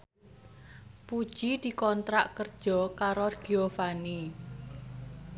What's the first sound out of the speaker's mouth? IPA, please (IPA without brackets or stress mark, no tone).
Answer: p